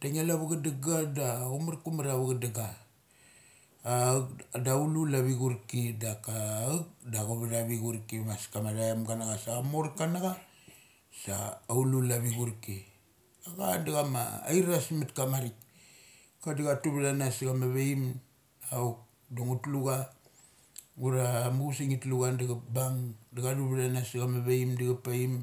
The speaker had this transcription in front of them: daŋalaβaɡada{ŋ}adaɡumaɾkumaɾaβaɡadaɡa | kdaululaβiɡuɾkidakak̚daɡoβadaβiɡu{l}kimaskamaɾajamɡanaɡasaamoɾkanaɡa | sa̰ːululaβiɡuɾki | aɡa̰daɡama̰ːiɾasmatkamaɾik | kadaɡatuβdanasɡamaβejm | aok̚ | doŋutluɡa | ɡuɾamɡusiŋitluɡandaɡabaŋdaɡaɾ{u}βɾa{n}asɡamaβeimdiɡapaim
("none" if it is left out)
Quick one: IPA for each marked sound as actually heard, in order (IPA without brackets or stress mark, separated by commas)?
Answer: ɡ, ɾ, u, n